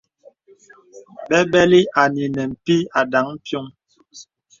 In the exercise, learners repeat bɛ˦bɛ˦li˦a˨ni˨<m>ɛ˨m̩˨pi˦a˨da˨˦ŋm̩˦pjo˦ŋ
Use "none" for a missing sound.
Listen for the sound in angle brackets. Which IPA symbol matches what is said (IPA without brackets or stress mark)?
n